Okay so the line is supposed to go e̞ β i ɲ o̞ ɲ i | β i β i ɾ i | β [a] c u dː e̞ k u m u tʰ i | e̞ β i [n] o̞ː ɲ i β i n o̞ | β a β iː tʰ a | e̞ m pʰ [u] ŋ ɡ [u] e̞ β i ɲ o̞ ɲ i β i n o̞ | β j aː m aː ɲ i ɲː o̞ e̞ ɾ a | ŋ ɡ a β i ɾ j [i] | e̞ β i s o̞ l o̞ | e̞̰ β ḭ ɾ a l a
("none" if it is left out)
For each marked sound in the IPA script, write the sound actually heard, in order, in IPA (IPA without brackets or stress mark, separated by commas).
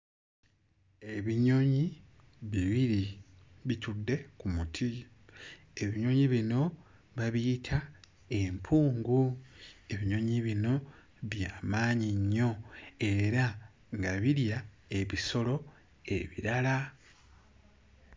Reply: i, ɲ, uː, u, a